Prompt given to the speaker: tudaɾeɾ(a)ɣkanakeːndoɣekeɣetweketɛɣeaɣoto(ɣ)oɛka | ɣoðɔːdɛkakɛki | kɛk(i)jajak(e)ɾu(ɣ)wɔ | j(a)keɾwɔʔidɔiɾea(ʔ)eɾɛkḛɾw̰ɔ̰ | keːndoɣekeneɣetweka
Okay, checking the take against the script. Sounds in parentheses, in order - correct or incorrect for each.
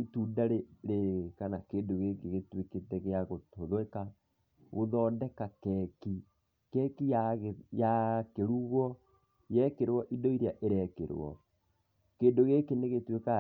incorrect, incorrect, correct, correct, correct, incorrect, correct

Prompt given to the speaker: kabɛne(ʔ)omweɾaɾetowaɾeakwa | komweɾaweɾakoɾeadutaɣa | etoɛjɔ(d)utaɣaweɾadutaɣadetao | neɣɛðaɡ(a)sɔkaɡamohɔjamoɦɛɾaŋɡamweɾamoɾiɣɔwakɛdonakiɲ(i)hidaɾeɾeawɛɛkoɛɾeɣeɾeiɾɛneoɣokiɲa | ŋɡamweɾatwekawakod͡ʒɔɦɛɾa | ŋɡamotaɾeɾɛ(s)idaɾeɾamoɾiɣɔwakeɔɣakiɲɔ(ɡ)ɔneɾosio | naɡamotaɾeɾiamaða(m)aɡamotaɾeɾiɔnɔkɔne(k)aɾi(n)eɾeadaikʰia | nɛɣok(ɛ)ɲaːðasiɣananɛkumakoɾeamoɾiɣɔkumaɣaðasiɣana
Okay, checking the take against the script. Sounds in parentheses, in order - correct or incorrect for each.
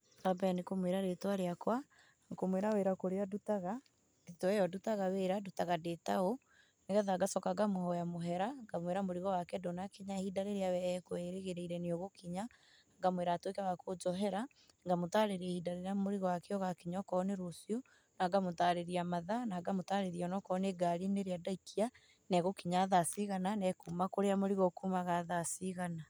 incorrect, correct, correct, incorrect, incorrect, incorrect, incorrect, incorrect, correct, incorrect

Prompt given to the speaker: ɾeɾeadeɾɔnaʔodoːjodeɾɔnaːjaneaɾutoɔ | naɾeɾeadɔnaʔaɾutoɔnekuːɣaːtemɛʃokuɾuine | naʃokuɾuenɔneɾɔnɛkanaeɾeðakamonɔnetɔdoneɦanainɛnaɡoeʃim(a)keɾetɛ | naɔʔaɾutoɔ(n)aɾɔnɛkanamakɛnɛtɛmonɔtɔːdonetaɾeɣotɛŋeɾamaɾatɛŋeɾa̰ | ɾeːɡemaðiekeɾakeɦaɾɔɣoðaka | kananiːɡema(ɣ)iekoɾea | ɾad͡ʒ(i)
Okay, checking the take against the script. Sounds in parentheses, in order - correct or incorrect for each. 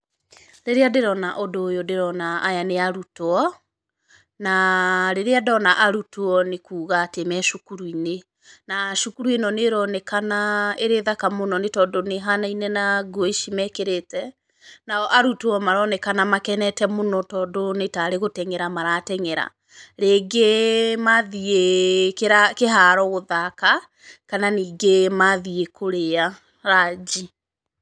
incorrect, incorrect, incorrect, correct

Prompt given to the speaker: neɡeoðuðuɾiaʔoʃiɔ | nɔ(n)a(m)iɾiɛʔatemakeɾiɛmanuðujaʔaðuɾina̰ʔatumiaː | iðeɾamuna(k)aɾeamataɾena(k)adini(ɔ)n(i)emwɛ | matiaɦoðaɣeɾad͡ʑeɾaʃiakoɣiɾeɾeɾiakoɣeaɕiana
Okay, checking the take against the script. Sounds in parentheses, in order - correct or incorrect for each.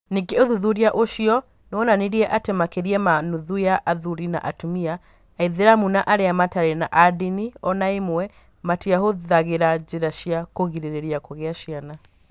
correct, incorrect, incorrect, incorrect, correct, incorrect

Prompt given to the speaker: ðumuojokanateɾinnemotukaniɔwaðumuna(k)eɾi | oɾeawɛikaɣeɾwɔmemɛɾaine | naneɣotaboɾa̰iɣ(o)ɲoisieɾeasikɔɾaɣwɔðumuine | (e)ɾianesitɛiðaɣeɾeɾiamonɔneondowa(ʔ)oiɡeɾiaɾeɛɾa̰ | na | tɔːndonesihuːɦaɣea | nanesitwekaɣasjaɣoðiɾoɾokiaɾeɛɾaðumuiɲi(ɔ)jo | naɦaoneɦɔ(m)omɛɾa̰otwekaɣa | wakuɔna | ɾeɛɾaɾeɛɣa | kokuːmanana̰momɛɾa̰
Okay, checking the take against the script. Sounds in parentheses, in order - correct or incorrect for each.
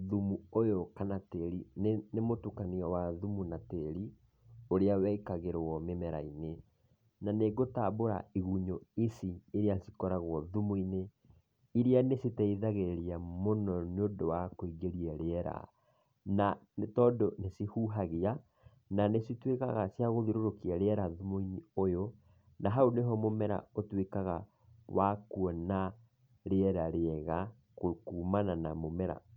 incorrect, incorrect, incorrect, incorrect, incorrect, correct

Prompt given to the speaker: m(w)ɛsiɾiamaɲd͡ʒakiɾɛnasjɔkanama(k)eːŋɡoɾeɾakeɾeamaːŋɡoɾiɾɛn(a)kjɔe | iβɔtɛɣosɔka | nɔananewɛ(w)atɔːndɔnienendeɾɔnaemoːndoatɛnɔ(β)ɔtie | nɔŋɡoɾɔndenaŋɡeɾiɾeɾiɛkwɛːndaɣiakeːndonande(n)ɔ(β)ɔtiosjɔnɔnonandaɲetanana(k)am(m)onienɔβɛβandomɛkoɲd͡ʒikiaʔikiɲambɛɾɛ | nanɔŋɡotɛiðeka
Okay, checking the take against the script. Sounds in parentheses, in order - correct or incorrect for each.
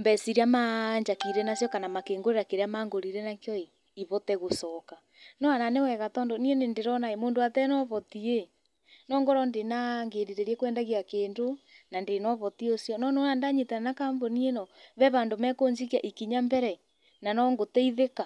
incorrect, correct, correct, incorrect, correct, correct, correct, correct, incorrect

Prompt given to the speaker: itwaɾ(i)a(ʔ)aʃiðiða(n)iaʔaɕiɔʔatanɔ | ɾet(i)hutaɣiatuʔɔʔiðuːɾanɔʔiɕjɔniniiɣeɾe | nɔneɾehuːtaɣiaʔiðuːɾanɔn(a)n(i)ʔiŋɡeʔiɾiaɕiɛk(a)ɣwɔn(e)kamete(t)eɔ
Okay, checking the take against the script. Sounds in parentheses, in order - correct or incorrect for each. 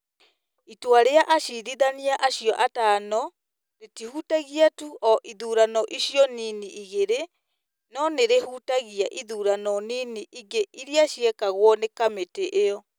incorrect, correct, correct, correct, incorrect, correct, correct, correct, incorrect

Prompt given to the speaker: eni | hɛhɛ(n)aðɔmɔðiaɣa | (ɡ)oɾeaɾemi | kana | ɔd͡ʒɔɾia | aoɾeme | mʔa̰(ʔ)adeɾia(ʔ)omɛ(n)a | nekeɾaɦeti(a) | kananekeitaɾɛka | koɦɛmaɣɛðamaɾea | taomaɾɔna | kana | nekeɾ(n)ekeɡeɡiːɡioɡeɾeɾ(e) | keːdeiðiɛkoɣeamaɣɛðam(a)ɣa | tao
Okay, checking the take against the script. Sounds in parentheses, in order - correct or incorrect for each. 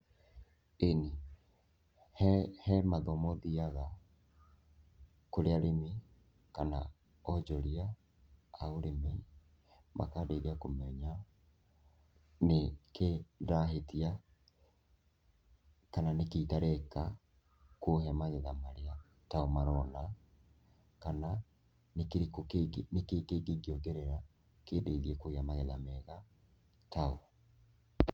incorrect, incorrect, incorrect, incorrect, incorrect, correct, correct, incorrect, incorrect

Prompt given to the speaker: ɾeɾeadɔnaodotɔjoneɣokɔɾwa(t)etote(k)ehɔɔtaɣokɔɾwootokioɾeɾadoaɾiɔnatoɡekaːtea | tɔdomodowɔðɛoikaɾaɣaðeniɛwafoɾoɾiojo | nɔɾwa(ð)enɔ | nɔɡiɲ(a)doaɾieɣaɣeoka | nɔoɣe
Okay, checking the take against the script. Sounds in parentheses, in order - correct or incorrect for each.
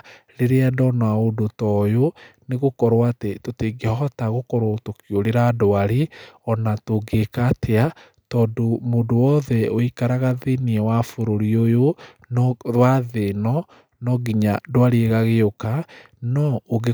correct, incorrect, correct, correct

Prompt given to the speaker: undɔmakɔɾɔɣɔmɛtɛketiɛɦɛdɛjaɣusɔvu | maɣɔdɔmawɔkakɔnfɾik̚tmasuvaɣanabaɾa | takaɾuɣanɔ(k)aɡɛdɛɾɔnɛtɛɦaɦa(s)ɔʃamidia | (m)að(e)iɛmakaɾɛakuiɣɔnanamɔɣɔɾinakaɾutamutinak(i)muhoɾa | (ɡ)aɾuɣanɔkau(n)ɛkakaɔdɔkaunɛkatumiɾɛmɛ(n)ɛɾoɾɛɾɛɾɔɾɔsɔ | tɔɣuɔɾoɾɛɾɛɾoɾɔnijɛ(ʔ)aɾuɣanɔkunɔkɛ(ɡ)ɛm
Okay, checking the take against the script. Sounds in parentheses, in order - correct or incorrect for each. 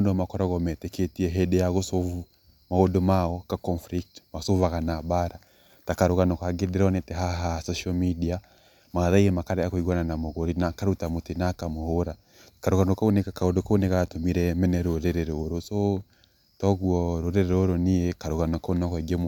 correct, correct, correct, incorrect, incorrect, incorrect, correct, correct, incorrect, correct

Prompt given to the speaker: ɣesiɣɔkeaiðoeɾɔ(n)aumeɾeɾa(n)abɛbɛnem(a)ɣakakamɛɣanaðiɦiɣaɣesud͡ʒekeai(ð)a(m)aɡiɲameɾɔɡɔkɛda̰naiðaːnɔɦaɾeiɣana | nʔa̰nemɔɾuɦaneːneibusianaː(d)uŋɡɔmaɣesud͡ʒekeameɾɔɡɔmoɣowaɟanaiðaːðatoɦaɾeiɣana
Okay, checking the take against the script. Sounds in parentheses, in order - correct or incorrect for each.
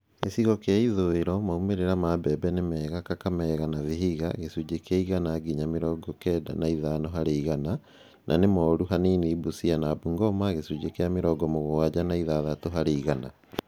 incorrect, incorrect, incorrect, incorrect, incorrect, incorrect

